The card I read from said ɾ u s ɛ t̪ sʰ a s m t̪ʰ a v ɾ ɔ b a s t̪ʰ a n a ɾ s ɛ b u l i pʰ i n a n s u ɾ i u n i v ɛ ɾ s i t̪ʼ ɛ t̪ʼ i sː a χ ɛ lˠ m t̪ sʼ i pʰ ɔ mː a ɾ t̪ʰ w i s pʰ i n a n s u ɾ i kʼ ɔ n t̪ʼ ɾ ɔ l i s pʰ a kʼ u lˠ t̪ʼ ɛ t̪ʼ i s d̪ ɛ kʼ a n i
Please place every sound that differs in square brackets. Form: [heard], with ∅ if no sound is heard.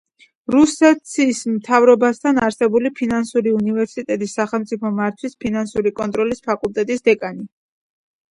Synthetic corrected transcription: ɾ u s ɛ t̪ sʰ [i] s m t̪ʰ a v ɾ ɔ b a s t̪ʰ a n a ɾ s ɛ b u l i pʰ i n a n s u ɾ i u n i v ɛ ɾ s i t̪ʼ ɛ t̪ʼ i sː a χ ɛ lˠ m t̪ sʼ i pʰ ɔ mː a ɾ t̪ʰ w i s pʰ i n a n s u ɾ i kʼ ɔ n t̪ʼ ɾ ɔ l i s pʰ a kʼ u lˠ t̪ʼ ɛ t̪ʼ i s d̪ ɛ kʼ a n i